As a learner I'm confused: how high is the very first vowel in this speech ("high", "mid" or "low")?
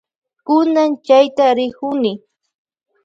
high